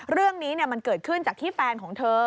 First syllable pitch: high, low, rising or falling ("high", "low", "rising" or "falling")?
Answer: falling